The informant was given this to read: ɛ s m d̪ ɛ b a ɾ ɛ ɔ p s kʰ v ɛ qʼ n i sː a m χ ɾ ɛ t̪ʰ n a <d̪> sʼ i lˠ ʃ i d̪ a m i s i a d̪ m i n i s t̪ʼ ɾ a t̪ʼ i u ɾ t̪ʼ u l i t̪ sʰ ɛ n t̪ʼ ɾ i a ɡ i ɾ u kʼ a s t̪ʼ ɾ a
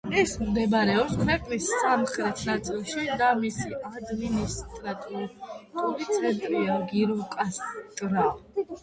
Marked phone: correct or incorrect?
incorrect